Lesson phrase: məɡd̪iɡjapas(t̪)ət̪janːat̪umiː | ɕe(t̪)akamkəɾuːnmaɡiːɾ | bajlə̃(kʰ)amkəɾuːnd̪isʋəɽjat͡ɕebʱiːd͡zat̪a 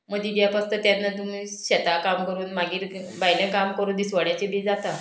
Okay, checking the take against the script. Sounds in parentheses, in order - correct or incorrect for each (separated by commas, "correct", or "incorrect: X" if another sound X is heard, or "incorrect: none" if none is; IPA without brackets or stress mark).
correct, correct, incorrect: k